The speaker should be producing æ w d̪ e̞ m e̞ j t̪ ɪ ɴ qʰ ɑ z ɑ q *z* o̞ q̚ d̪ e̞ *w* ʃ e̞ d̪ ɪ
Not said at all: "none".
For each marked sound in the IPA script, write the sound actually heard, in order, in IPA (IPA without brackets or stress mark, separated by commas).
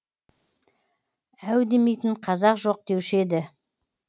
ʒ, w